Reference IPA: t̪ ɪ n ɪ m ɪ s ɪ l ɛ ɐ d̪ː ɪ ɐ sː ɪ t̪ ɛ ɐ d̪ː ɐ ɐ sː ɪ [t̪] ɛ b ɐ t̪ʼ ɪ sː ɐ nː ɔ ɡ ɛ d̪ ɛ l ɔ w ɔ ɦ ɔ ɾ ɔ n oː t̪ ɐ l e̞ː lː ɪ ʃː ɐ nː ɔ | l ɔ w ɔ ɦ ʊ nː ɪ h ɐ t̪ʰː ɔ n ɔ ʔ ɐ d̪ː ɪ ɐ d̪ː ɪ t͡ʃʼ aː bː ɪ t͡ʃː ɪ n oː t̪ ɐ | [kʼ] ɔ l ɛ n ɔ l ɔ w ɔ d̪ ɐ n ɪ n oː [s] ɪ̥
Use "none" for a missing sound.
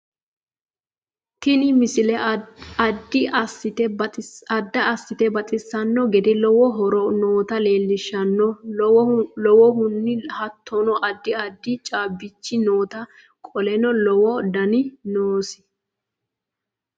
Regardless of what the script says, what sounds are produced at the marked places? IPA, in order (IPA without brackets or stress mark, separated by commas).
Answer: t̪, kʼ, s